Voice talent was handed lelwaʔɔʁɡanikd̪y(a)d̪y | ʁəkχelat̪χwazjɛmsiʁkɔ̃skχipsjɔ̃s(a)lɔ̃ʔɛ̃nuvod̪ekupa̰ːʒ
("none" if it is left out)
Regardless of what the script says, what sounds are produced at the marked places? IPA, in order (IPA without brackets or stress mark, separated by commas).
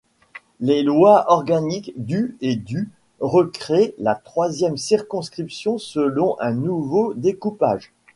e, ə